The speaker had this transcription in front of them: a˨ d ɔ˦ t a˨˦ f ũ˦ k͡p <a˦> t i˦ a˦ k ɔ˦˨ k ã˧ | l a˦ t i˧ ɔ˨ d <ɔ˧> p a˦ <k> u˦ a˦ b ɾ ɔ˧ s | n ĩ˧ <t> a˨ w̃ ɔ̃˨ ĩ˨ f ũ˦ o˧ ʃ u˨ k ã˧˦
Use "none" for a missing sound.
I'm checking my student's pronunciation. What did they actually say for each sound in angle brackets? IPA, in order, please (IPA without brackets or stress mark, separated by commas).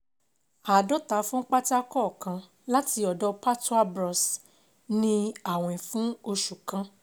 a˦, ɔ˧, t, none